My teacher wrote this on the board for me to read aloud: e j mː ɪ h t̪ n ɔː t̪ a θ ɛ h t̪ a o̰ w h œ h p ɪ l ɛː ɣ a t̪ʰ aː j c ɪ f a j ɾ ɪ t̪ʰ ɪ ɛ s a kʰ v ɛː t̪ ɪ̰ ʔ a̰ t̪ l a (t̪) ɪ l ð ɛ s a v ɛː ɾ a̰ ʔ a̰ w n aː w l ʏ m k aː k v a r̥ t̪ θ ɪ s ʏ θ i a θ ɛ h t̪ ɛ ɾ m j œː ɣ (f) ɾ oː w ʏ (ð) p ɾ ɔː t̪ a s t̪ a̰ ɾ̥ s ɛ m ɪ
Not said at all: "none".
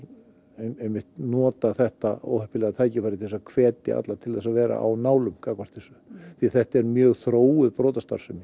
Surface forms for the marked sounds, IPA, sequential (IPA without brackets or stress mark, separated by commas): t̪ʰ, θ, ð